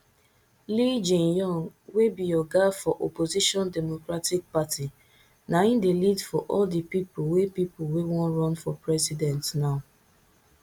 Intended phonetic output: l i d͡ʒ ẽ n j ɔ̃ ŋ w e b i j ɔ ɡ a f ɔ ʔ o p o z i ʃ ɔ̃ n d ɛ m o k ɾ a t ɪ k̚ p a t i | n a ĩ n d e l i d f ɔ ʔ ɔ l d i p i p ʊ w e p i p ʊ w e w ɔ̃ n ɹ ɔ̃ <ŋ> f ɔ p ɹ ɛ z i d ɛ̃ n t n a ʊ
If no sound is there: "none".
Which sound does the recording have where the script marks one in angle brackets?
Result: n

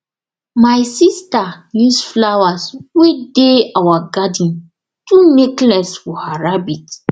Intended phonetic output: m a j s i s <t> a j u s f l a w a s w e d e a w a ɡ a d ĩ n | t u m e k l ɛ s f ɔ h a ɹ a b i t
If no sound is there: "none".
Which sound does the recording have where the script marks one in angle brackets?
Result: t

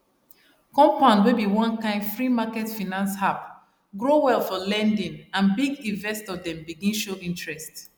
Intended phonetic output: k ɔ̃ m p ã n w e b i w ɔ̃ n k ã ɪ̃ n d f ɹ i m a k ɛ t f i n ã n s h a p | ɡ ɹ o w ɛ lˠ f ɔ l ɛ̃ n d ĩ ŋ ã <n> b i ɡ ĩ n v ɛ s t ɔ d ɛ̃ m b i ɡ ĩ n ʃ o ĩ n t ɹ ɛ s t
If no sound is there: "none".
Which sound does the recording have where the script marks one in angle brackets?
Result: n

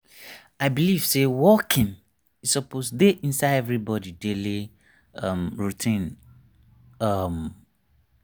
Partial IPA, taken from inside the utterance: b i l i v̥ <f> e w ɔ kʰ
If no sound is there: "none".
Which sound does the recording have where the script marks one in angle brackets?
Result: s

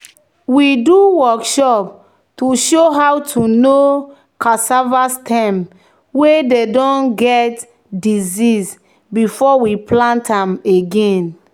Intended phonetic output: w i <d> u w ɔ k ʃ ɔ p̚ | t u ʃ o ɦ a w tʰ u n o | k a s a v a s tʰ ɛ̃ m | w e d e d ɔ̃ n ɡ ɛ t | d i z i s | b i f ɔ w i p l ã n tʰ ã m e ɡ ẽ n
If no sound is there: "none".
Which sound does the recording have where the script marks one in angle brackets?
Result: d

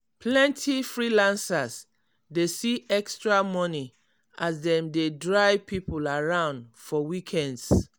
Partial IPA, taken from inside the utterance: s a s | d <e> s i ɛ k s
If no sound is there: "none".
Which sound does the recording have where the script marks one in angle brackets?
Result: e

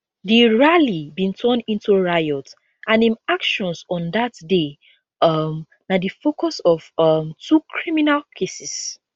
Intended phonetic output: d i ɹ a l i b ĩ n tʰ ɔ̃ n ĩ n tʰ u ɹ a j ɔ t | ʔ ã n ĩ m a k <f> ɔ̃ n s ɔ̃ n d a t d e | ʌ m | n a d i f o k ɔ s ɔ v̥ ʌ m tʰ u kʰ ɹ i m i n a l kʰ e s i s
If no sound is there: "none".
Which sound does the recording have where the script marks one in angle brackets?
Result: ʃ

